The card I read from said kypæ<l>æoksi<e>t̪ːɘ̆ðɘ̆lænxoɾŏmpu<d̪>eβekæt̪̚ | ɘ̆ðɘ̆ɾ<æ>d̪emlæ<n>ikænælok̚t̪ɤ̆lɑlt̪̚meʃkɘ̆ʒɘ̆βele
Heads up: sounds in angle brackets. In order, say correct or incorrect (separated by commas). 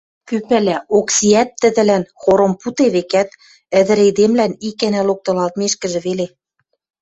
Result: correct, incorrect, incorrect, incorrect, correct